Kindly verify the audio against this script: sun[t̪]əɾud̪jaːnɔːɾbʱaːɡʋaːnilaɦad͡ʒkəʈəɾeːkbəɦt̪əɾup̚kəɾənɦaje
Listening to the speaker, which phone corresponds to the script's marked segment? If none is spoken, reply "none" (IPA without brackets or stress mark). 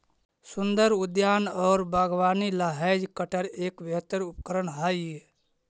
d̪